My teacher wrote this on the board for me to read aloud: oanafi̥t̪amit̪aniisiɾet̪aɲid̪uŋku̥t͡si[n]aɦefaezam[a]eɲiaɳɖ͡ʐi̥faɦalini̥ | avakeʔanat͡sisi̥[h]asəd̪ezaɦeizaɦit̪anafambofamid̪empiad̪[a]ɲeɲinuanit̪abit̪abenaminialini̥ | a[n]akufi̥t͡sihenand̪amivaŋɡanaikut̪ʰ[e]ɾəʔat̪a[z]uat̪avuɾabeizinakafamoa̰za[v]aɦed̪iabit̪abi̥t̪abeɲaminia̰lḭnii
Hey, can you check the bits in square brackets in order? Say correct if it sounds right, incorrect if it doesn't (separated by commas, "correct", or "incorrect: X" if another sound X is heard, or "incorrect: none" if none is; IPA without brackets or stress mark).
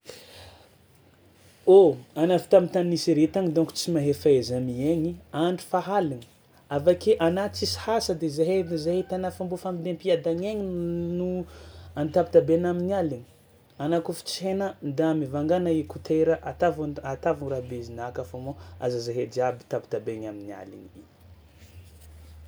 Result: incorrect: m, incorrect: i, correct, correct, correct, correct, incorrect: v, incorrect: z